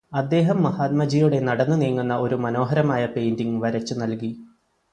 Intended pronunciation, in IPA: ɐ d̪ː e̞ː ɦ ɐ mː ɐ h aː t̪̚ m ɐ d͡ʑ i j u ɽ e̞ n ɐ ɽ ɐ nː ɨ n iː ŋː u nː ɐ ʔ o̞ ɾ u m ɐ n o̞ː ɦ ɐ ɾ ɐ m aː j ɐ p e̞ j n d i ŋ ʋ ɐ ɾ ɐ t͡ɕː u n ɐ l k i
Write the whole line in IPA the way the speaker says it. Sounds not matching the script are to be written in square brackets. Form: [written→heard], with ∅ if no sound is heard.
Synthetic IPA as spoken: ɐ d̪ː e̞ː ɦ ɐ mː ɐ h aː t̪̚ m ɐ d͡ʑ i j u ɽ e̞ n ɐ ɽ ɐ nː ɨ n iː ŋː u nː ɐ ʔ o̞ ɾ u m ɐ n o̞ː ɦ ɐ ɾ ɐ m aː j ɐ p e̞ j n d i ŋ ʋ ɐ ɾ ɐ t͡ɕː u n ɐ l k i